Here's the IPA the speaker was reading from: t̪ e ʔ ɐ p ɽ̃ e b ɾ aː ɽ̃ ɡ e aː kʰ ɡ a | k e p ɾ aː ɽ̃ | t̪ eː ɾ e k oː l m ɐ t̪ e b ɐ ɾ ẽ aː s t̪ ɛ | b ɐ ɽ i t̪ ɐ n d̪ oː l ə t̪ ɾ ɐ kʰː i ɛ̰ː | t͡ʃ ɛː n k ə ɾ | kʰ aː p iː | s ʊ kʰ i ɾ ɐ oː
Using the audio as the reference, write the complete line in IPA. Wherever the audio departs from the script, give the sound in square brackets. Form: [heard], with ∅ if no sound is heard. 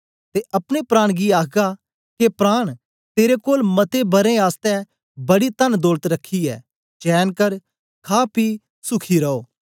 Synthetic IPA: t̪ e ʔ ɐ p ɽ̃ e [p] ɾ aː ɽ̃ ɡ [i] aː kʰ ɡ a | k e p ɾ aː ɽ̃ | t̪ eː ɾ e k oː l m ɐ t̪ e b ɐ ɾ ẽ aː s t̪ ɛ | b ɐ ɽ i t̪ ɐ n d̪ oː l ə t̪ ɾ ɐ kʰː i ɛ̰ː | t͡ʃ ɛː n k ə ɾ | kʰ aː p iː | s ʊ kʰ i ɾ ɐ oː

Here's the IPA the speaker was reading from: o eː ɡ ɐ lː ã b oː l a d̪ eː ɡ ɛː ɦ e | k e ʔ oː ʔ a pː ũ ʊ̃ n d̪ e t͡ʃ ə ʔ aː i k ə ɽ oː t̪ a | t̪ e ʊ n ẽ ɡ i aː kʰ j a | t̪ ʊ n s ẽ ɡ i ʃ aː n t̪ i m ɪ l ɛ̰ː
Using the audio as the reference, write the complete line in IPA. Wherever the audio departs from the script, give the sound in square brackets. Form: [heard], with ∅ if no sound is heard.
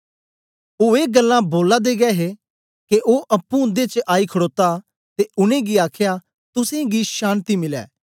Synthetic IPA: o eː ɡ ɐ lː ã b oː l a d̪ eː ɡ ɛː ɦ e | k e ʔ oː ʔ [ɐ] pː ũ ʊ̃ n d̪ e t͡ʃ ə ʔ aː i [kʰ] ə ɽ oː t̪ a | t̪ e ʊ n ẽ ɡ i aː kʰ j a | t̪ ʊ [∅] s ẽ ɡ i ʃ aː n t̪ i m ɪ l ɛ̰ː

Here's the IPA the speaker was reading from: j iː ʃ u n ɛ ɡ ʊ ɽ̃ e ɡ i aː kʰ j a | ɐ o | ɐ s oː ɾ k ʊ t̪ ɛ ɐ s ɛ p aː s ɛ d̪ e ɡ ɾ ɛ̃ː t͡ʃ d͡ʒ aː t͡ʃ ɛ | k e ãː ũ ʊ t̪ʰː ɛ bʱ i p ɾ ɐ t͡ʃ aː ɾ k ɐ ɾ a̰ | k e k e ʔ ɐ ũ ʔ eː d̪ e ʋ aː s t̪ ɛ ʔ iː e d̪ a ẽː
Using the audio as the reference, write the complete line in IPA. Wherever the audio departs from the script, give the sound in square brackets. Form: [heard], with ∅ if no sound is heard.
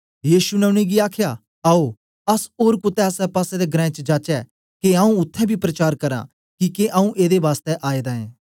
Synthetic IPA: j iː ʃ u n ɛ [∅] ʊ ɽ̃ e ɡ i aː kʰ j a | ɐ o | ɐ s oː ɾ k ʊ t̪ ɛ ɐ s ɛ p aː s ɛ d̪ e ɡ ɾ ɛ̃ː t͡ʃ d͡ʒ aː t͡ʃ ɛ | k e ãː ũ ʊ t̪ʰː ɛ bʱ i p ɾ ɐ t͡ʃ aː ɾ k ɐ ɾ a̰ | k [i] k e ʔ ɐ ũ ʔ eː d̪ e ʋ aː s t̪ ɛ ʔ [aː] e d̪ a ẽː

